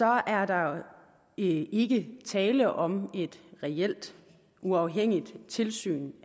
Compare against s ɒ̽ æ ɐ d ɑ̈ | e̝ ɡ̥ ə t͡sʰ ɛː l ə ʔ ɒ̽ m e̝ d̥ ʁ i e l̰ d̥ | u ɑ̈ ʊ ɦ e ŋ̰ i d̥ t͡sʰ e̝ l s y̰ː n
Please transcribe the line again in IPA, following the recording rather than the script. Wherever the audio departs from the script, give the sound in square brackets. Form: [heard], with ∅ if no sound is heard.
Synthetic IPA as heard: s ɒ̽ æ ɐ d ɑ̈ | e̝ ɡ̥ ə t͡sʰ ɛː l ə ʔ ɒ̽ m e̝ d̥ ʁ [ɛ] e l̰ d̥ | u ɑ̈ ʊ ɦ e ŋ̰ i d̥ t͡sʰ e̝ l s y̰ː n

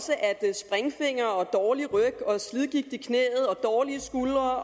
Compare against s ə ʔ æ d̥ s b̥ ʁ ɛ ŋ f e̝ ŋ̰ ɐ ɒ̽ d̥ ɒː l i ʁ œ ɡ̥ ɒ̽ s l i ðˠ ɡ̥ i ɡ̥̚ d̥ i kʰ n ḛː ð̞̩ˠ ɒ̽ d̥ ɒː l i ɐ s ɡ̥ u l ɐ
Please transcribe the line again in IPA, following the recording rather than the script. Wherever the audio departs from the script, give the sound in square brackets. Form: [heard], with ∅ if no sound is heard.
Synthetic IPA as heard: s ə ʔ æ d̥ s b̥ ʁ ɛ ŋ f e̝ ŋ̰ ɐ ɒ̽ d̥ ɒː l i ʁ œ ɡ̥ ɒ̽ s l i ðˠ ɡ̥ i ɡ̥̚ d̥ i kʰ n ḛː ð̞̩ˠ ɒ̽ d̥ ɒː l i [ə] s ɡ̥ u l ɐ

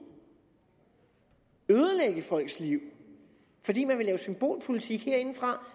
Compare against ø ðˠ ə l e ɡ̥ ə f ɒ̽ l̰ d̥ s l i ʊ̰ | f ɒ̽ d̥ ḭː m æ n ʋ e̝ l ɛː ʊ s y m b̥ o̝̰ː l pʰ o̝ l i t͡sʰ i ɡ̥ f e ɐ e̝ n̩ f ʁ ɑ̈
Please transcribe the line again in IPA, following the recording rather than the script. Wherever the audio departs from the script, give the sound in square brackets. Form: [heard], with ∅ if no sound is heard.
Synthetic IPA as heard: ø ðˠ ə l e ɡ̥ ə f ɒ̽ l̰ [ɡ̥] s l i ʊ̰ | f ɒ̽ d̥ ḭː m æ n ʋ e̝ l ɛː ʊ s y m b̥ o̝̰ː l pʰ o̝ l i t͡sʰ i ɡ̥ [h] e ɐ e̝ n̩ f ʁ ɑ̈

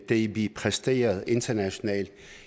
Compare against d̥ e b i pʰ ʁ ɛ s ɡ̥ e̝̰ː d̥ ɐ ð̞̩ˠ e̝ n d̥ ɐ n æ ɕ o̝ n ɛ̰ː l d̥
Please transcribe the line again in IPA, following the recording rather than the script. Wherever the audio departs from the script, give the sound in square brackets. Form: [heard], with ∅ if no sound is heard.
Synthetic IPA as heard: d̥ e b i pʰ ʁ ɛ s [d̥] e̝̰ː [∅] ɐ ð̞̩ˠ e̝ n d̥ ɐ n æ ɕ o̝ n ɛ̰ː l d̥

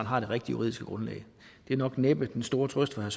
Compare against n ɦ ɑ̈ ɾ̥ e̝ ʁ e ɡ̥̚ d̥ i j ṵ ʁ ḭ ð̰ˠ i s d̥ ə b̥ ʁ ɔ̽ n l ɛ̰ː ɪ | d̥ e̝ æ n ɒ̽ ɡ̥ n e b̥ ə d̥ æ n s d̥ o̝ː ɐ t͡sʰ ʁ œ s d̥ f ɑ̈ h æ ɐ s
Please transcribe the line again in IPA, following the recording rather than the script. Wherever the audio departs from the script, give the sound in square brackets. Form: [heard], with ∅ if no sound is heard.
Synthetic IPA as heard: n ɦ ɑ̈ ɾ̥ e̝ ʁ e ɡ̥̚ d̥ i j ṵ ʁ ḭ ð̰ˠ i s [ɡ̥] ə [ɡ̥] ʁ ɔ̽ n l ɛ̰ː ɪ | d̥ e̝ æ n ɒ̽ ɡ̥ n e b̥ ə d̥ [e] n s d̥ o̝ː ɐ t͡sʰ ʁ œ s d̥ f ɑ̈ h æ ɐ s

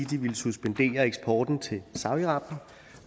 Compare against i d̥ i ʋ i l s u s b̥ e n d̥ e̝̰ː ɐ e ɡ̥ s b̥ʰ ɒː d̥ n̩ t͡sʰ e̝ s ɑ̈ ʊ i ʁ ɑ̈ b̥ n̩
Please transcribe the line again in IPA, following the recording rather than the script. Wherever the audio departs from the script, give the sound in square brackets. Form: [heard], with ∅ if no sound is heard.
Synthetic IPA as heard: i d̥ i ʋ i l s u s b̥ e n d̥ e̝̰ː ɐ e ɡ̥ s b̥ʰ ɒː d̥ n̩ t͡sʰ e̝ s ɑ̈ ʊ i ʁ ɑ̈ b̥ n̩

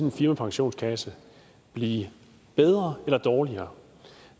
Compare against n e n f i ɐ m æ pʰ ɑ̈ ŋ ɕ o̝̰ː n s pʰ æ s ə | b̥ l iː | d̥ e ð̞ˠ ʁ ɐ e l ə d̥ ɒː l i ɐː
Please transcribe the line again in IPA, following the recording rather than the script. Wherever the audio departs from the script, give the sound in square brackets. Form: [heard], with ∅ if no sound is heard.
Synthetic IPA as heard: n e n f i ɐ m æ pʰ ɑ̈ ŋ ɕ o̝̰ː n s [kʰ] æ s ə | b̥ l iː | [b̥] e ð̞ˠ ʁ ɐ e l [ɐ] d̥ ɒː l i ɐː

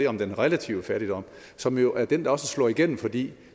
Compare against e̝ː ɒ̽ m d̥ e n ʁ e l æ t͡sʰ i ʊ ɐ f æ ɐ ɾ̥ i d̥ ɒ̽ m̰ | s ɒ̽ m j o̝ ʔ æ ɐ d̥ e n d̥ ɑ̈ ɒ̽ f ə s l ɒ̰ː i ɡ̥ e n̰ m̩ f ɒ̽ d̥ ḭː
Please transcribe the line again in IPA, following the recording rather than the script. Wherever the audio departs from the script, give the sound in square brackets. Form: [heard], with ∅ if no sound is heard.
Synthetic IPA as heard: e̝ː ɒ̽ m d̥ e n ʁ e l æ t͡sʰ i ʊ [ə] f æ ɐ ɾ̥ i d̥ ɒ̽ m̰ | s ɒ̽ m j o̝ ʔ æ ɐ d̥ e n d̥ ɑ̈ ɒ̽ [s] ə s l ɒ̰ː i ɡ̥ e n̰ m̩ f ɒ̽ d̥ ḭː

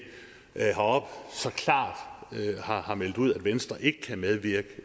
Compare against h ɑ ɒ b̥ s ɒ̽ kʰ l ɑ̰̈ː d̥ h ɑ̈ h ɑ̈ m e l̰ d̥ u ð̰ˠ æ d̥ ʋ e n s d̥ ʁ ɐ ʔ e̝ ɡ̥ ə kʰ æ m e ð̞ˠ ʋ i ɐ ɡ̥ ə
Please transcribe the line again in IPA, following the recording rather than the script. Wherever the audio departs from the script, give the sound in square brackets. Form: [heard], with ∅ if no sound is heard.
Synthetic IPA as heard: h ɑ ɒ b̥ s ɒ̽ kʰ l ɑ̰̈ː d̥ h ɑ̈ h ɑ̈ m e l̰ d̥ u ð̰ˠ æ d̥ ʋ e n s d̥ ʁ ɐ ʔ e̝ ɡ̥ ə kʰ æ m e ð̞ˠ ʋ i ɐ ɡ̥ ə

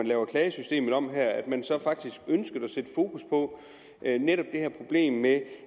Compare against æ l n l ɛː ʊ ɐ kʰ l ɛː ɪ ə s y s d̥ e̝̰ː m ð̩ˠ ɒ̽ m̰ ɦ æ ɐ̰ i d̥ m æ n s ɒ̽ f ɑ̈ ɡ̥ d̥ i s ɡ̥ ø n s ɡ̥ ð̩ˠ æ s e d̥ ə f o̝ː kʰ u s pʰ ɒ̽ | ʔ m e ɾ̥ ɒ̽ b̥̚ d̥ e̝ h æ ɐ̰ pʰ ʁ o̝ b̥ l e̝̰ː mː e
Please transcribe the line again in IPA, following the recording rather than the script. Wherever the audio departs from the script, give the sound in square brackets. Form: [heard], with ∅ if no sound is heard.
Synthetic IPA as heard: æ [∅] n l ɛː ʊ ɐ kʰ l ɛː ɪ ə s y s d̥ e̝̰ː m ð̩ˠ ɒ̽ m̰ ɦ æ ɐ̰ [æ] d̥ m æ n s ɒ̽ f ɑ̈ ɡ̥ d̥ i s ɡ̥ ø n s ɡ̥ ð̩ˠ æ s e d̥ ə f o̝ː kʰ u s pʰ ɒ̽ | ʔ [n] e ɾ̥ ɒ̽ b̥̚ d̥ e̝ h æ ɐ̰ pʰ ʁ o̝ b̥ l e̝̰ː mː e

